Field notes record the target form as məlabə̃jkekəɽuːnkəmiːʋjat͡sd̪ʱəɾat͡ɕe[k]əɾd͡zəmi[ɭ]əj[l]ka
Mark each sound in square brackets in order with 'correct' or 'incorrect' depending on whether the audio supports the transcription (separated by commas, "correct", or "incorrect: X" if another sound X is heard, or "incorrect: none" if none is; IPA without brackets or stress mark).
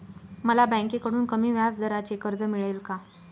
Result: correct, correct, correct